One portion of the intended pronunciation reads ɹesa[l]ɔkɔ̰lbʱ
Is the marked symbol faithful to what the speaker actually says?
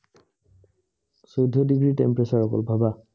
no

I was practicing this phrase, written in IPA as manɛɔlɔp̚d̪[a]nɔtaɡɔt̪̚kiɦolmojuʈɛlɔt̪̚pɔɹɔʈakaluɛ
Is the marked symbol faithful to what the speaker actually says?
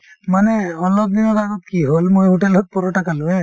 no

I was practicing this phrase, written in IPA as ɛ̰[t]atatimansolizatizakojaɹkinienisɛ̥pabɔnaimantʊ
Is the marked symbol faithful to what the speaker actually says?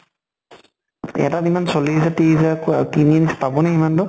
no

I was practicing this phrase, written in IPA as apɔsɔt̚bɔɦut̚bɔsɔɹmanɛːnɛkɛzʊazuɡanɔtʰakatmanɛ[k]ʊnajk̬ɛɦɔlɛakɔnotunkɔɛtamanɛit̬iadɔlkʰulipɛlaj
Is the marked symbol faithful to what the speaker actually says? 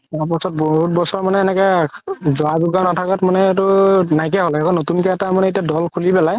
no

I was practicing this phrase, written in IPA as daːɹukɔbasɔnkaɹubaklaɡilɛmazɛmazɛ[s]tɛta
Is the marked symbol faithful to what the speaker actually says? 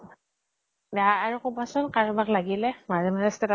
yes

